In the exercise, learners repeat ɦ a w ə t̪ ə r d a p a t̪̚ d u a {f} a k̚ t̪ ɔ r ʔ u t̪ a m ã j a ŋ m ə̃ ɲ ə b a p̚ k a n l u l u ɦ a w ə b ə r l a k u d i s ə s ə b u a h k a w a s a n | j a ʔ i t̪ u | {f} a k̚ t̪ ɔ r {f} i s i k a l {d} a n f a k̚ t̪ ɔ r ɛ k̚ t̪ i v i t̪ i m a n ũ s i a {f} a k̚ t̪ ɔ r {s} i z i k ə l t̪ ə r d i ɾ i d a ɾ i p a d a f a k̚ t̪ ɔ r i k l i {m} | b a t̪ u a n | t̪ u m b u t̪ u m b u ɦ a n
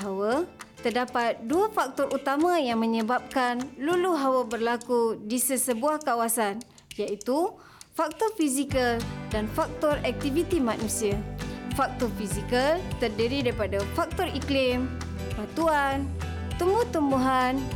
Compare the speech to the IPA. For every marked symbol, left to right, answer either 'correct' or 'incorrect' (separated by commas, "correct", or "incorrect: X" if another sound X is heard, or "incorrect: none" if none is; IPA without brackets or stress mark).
correct, correct, correct, correct, correct, incorrect: f, correct